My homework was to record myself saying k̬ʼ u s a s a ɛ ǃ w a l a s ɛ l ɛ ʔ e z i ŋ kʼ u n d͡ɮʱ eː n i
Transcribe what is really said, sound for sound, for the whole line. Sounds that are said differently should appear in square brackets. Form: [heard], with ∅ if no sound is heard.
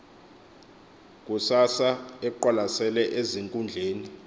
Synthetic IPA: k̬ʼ u s a s a ɛ ǃ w a l a s ɛ l ɛ ʔ e z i ŋ kʼ u n d͡ɮʱ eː n i

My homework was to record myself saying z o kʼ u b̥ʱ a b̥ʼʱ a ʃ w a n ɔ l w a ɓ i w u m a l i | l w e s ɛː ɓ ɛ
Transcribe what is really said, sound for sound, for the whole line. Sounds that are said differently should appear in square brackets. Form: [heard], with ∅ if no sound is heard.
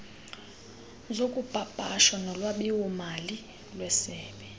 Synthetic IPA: z o kʼ u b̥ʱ a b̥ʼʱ a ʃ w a n ɔ l w a ɓ i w u m a l i | l w [ɛ] s ɛː ɓ ɛ

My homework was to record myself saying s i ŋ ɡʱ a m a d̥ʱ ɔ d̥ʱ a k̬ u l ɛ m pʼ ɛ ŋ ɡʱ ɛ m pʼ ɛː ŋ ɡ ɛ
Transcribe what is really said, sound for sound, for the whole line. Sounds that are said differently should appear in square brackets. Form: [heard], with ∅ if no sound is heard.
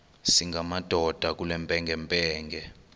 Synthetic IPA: s i ŋ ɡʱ a m a d̥ʱ ɔ d̥ʱ a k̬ u l ɛ m pʼ ɛ ŋ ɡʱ ɛ m pʼ ɛː ŋ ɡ ɛ

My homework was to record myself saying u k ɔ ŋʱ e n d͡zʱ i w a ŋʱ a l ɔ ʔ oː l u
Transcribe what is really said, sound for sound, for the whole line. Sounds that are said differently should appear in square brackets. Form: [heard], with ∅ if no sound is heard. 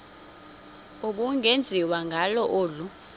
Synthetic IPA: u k [u] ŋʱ e n d͡zʱ i w a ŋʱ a l ɔ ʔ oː l u

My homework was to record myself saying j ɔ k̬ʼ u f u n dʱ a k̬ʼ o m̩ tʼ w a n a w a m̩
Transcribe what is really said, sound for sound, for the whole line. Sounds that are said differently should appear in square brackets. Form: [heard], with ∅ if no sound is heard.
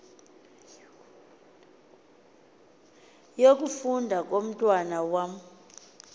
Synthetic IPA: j [o] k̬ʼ u f u n dʱ a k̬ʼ o m̩ tʼ w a n a w a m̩

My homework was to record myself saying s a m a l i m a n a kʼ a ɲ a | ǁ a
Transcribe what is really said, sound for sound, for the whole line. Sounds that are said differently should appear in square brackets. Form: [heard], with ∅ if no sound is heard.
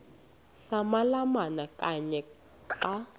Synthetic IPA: s a m a l [a] m a n a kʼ a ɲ [ɛ] | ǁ a

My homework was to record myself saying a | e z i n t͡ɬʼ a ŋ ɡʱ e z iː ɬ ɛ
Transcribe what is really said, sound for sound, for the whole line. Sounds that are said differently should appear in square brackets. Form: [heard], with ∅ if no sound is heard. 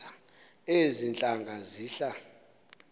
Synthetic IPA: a | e z i n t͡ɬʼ a ŋ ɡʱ [a] z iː ɬ [a]

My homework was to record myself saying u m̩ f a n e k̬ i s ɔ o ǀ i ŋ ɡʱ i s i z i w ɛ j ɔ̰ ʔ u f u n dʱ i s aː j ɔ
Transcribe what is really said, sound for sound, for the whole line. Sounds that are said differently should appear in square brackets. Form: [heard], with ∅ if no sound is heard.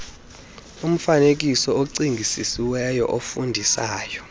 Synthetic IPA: u m̩ f a n e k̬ i s ɔ o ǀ i ŋ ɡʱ i s i [s] i w ɛ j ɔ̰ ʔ [o] f u n dʱ i s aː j ɔ

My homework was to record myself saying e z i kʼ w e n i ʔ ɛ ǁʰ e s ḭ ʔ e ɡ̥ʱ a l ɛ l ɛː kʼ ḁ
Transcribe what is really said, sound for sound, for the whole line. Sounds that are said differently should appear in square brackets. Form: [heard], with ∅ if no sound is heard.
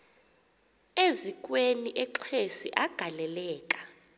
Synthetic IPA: e z i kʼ w e n i ʔ ɛ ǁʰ e s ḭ ʔ [a] ɡ̥ʱ a l ɛ l ɛː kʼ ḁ

